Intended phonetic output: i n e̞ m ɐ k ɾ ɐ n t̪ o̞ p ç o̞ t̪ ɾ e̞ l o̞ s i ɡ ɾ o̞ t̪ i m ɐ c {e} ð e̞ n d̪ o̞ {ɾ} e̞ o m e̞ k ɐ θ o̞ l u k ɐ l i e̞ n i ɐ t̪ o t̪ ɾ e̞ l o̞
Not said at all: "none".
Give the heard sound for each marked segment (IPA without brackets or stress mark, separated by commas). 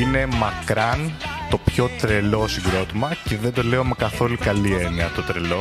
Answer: e, l